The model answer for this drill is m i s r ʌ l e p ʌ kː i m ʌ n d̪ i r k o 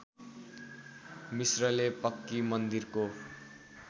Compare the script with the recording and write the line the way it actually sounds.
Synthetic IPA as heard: m i s r ʌ l e p ʌ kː i m ʌ n d̪ i r k o